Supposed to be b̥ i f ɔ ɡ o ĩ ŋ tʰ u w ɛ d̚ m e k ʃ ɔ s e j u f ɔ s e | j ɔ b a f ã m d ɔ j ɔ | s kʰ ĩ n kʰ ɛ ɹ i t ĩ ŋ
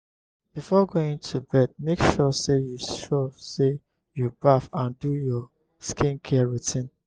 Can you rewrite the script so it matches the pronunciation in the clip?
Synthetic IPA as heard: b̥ i f ɔ ɡ o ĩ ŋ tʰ u b ɛ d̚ m e k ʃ ɔ s e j u ʃ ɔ s e | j u b a f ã n d u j ɔ | s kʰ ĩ n kʰ ɛ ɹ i t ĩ n